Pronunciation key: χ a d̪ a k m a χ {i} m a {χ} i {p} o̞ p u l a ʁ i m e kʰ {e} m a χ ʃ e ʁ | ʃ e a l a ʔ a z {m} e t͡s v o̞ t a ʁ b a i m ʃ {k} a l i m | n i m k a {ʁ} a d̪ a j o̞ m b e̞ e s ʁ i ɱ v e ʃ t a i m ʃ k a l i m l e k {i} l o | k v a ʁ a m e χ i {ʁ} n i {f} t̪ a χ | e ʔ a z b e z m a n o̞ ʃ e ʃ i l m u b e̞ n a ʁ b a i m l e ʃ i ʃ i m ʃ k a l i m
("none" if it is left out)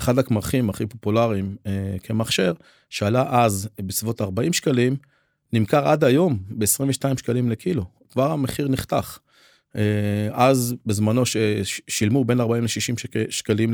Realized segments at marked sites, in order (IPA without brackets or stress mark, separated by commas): i, χ, p, e, b, k, ʁ, i, ʁ, χ